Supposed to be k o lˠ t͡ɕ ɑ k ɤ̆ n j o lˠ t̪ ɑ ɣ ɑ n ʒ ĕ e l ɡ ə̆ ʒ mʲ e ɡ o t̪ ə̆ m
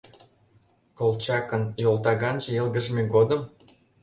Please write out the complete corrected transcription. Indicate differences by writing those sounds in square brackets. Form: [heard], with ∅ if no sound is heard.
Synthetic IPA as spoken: k o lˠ t͡ɕ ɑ k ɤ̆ n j o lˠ t̪ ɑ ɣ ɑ n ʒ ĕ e l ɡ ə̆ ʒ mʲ e ɡ o [d̪] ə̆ m